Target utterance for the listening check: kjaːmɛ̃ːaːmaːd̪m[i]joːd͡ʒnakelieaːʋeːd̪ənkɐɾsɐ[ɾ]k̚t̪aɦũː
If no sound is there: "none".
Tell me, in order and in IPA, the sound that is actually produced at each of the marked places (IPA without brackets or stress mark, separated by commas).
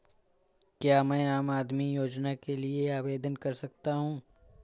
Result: i, none